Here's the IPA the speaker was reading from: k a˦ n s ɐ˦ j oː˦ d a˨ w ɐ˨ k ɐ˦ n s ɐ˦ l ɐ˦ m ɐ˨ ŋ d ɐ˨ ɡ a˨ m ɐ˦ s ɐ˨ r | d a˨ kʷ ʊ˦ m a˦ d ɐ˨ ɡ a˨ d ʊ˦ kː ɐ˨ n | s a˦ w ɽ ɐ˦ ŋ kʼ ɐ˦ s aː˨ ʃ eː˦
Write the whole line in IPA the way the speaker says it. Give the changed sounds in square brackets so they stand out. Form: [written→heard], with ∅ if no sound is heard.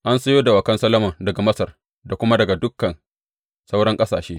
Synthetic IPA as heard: [k→ʔ] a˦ n s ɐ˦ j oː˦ d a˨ w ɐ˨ k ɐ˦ n s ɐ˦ l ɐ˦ m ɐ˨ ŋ d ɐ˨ ɡ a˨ m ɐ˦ s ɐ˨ r | d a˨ kʷ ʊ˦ m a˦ d ɐ˨ ɡ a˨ d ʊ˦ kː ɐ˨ n | s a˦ w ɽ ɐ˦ ŋ kʼ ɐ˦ s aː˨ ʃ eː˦